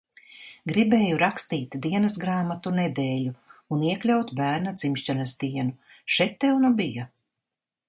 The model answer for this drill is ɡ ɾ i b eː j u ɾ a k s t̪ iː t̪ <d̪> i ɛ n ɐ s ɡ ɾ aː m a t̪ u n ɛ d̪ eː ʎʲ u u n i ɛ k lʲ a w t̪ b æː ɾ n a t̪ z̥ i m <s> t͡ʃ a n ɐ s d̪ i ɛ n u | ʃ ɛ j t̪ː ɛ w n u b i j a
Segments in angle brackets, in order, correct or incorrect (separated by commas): correct, incorrect